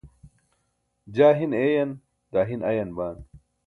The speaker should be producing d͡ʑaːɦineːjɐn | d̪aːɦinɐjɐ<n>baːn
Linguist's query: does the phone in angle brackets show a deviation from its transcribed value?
no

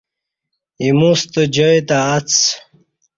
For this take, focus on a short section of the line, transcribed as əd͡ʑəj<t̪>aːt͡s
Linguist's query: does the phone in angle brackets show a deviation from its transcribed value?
no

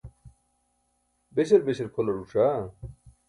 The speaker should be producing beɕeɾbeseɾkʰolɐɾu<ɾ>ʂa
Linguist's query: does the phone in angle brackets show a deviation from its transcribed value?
yes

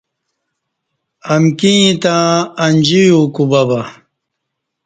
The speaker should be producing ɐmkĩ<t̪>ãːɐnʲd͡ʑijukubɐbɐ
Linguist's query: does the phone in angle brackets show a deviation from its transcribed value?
no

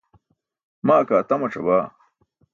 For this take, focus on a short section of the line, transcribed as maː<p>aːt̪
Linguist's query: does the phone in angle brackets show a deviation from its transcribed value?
yes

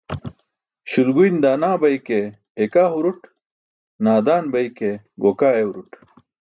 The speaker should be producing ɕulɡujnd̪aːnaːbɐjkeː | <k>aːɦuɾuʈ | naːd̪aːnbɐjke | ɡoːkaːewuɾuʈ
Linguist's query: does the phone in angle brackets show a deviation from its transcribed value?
no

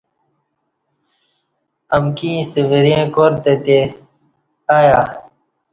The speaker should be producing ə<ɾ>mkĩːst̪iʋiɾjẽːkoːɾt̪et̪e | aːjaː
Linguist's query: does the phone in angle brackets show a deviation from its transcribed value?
yes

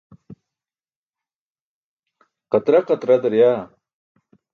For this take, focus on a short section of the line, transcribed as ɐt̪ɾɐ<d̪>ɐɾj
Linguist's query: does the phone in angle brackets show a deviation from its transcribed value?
no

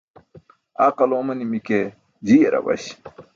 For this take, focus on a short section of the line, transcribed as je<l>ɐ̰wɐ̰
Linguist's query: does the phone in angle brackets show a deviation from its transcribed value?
yes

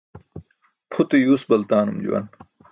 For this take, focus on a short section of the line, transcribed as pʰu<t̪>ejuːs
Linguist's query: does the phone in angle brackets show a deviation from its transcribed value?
no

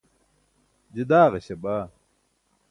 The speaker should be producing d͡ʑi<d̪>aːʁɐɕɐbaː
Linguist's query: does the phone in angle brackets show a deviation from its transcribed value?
no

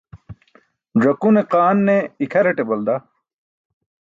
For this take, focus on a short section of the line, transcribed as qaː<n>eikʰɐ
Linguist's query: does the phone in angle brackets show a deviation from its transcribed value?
yes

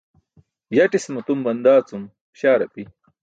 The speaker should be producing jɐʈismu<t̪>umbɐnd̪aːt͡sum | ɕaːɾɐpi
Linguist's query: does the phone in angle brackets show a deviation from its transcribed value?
no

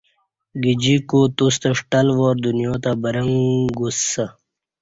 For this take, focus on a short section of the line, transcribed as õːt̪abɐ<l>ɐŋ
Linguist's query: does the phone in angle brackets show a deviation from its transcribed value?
yes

